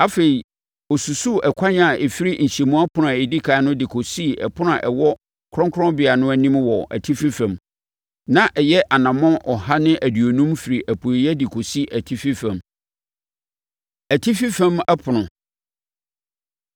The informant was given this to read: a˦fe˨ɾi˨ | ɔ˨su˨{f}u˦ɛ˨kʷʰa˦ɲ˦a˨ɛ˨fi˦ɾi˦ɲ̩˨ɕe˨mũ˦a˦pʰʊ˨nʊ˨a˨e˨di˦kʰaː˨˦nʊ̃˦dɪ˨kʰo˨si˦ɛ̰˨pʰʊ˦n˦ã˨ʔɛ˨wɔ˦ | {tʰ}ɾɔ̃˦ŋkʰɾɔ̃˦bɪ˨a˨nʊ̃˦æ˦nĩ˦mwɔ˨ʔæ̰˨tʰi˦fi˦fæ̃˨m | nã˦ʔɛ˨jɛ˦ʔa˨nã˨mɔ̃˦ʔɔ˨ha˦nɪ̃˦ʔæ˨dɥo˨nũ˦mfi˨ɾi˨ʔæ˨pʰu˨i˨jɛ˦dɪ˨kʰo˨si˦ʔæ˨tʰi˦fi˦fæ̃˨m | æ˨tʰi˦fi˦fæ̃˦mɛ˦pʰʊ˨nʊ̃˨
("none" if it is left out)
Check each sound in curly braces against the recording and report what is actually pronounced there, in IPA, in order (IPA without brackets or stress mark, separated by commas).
s, kʰ